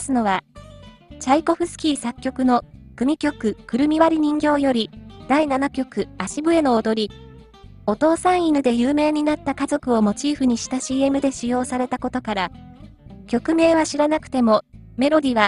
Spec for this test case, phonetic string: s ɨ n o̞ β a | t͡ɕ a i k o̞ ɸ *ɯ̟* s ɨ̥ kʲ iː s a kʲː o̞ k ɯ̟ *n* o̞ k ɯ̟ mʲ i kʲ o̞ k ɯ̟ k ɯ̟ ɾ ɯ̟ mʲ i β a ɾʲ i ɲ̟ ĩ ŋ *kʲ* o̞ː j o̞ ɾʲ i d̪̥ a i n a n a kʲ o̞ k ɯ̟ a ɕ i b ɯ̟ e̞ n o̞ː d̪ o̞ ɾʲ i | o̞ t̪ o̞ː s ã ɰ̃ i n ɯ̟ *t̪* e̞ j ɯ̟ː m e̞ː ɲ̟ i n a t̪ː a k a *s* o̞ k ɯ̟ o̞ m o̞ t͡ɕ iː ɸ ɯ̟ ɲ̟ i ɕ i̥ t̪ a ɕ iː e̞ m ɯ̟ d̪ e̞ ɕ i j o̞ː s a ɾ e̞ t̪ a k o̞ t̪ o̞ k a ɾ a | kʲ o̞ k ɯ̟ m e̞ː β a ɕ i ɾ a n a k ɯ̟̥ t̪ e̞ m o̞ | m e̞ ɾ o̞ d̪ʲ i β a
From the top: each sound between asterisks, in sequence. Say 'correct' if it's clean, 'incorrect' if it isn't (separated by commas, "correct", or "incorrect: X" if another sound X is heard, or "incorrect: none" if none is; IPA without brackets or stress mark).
correct, correct, incorrect: ɡʲ, incorrect: d̪, incorrect: z